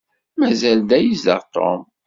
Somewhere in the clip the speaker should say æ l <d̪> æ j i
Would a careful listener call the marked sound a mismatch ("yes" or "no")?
no